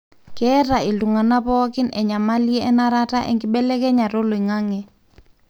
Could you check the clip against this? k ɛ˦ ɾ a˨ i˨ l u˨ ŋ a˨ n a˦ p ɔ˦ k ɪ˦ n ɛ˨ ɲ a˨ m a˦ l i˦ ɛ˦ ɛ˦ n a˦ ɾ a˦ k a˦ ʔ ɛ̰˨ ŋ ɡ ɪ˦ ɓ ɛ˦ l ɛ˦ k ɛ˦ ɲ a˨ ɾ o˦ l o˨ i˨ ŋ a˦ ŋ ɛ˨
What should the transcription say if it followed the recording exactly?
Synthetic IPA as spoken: k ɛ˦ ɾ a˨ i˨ l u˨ ŋ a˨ n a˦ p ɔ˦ k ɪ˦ n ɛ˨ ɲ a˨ m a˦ l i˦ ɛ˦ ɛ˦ n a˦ ɾ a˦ t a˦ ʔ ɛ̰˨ ŋ ɡ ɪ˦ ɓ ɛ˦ l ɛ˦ k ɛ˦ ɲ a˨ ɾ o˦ l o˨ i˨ ŋ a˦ ŋ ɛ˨